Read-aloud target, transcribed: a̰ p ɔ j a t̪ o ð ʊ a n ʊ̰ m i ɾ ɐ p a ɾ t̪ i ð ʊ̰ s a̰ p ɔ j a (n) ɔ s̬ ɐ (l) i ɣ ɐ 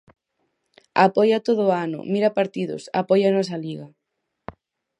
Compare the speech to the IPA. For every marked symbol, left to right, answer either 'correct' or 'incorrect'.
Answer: correct, correct

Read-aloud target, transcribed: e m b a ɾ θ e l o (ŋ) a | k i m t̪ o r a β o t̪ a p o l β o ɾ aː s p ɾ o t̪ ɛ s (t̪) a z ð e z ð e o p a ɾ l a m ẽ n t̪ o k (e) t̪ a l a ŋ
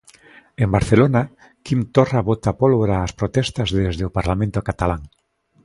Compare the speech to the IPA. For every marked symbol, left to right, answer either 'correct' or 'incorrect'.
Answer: incorrect, correct, incorrect

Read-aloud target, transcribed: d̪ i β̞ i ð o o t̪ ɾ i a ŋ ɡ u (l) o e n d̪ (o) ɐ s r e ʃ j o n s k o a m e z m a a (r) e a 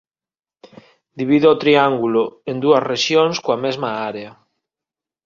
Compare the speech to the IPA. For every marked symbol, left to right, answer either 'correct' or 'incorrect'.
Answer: correct, incorrect, incorrect

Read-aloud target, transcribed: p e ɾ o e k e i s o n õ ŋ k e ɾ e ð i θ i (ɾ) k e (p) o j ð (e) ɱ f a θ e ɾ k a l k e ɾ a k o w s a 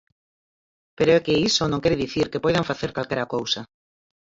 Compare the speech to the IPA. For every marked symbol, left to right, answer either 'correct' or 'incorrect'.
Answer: correct, correct, incorrect

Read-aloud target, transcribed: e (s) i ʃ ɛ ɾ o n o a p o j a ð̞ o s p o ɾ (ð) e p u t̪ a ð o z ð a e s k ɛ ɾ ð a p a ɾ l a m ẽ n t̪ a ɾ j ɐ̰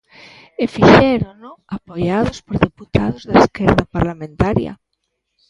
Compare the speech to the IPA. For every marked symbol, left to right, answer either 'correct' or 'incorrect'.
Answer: incorrect, correct

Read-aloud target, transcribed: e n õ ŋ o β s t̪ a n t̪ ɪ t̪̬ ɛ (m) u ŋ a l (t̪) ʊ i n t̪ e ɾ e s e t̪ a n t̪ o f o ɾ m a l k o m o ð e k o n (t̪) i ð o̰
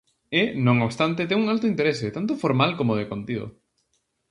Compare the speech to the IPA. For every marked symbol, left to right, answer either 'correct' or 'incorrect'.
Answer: incorrect, correct, correct

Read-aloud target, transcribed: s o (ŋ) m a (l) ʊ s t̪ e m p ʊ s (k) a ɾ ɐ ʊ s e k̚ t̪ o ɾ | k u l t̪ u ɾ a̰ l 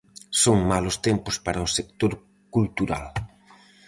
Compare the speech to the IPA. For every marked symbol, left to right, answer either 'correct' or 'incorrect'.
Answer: correct, correct, incorrect

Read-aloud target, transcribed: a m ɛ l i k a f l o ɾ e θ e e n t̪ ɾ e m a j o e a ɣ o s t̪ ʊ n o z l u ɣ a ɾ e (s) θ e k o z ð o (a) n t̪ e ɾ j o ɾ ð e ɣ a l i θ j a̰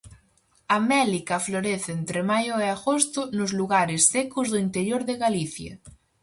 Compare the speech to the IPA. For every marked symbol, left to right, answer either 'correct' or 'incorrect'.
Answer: correct, incorrect

